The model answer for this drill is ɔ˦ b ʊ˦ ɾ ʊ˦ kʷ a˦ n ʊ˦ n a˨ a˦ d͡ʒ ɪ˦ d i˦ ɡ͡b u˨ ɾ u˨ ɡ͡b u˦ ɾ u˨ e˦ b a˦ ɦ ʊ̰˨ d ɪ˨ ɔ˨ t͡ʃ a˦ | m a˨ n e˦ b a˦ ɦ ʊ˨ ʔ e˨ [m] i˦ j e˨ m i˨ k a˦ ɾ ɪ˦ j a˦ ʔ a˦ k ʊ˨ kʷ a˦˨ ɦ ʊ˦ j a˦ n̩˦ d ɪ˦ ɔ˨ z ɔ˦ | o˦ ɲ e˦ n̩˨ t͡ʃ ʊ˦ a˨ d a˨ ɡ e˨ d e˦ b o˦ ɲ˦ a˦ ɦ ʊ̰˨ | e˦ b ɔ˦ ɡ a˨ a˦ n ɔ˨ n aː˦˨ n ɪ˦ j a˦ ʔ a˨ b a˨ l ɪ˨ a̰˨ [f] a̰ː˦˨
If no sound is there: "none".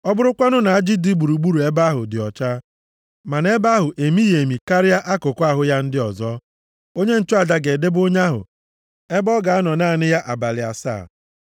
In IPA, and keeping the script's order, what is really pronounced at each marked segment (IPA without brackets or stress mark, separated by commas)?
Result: m, s